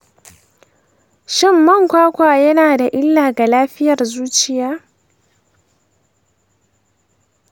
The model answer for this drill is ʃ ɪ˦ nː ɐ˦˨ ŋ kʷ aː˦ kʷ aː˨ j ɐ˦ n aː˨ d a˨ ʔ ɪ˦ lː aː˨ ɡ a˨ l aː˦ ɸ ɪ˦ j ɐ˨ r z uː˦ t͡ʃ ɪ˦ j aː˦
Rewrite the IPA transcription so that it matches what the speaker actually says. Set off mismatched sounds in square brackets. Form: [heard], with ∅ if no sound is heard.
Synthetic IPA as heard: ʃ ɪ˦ [mː] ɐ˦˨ ŋ kʷ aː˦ kʷ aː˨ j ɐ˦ n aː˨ d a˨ ʔ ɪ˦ lː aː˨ ɡ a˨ l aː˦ ɸ ɪ˦ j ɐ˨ r z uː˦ t͡ʃ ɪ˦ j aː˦